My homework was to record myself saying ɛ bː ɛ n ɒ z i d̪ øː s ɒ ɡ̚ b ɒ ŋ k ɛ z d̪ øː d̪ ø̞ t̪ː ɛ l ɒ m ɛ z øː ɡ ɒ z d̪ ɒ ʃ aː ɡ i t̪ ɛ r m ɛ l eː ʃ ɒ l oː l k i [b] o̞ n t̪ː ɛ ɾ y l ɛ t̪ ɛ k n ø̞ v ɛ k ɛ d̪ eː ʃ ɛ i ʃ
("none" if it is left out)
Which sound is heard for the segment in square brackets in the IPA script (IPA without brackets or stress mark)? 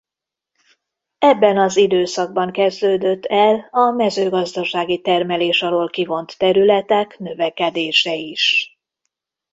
v